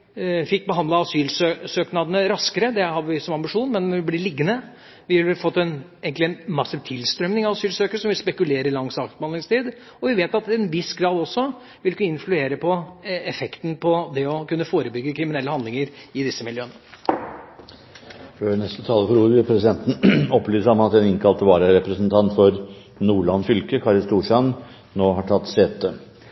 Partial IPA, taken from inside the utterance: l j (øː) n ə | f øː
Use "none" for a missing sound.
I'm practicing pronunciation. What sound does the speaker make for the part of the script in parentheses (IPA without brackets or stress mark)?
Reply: øː